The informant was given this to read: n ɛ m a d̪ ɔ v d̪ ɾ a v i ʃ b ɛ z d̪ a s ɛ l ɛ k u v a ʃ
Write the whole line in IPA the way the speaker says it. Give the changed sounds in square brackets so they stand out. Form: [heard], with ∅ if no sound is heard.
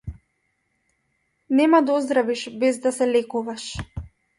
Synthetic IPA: n ɛ m a d̪ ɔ [z] d̪ ɾ a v i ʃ b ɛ z d̪ a s ɛ l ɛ k u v a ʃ